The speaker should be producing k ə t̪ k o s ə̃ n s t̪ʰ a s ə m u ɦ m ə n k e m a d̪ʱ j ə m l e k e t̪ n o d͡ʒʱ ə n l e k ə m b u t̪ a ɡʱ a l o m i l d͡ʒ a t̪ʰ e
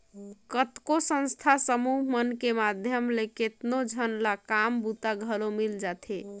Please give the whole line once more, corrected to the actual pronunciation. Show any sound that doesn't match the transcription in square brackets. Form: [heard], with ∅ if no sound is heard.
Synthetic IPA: k ə t̪ k o s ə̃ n s t̪ʰ a s ə m u ɦ m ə n k e m a d̪ʱ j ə m l e k e t̪ n o d͡ʒʱ ə n l [a] k [a] m b u t̪ a ɡʱ [ə] l o m i l d͡ʒ a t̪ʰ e